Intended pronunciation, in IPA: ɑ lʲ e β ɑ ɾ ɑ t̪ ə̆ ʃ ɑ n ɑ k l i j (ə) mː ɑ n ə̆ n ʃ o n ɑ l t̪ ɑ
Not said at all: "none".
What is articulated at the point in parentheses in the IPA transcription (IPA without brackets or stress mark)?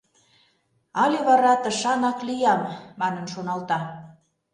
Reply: ɑ